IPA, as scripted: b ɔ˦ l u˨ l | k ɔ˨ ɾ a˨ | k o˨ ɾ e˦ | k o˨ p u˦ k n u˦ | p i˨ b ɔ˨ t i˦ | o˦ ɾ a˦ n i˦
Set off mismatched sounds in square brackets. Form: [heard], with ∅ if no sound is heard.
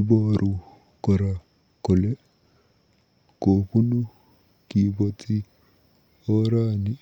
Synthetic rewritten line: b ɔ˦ [ɾ] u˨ [∅] | k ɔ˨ ɾ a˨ | k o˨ [l] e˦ | k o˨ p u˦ [∅] n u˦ | [k] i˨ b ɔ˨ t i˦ | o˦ ɾ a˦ n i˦